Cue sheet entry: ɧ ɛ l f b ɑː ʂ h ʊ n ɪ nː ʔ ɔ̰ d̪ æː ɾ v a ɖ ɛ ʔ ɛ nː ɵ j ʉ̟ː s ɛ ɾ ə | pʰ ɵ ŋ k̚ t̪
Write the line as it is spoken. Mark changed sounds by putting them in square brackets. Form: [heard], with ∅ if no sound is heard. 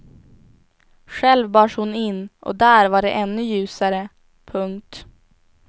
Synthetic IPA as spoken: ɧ ɛ l [v] b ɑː ʂ h ʊ n ɪ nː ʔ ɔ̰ d̪ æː ɾ v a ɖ ɛ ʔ ɛ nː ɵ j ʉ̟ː s [a] ɾ ə | pʰ ɵ ŋ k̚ t̪